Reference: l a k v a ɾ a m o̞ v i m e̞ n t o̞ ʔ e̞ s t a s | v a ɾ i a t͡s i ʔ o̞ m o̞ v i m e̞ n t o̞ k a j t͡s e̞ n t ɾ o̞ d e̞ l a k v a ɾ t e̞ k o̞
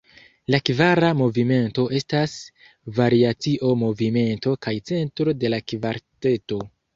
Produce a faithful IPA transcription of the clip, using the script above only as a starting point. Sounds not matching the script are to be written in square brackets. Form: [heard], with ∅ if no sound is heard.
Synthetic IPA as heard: l a k v a ɾ a m o̞ v i m e̞ n t o̞ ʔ e̞ s t a s | v a ɾ i a t͡s i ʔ o̞ m o̞ v i m e̞ n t o̞ k a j t͡s e̞ n t ɾ o̞ d e̞ l a k v a ɾ t e̞ [t] o̞